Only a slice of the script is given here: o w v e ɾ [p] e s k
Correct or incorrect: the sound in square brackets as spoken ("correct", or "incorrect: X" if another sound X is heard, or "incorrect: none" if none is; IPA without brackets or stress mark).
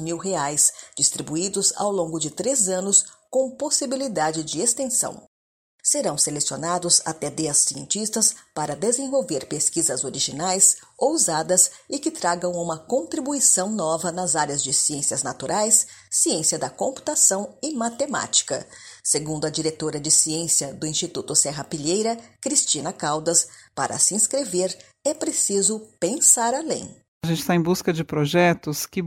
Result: correct